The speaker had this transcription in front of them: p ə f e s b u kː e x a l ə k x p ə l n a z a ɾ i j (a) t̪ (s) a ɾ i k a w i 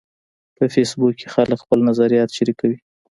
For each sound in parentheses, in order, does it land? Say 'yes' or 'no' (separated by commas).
no, no